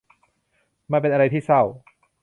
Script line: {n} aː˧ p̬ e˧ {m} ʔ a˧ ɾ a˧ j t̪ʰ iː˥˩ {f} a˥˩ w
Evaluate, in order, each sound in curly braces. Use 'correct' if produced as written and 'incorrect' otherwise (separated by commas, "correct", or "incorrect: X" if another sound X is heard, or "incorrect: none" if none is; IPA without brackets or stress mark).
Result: incorrect: m, incorrect: n, incorrect: s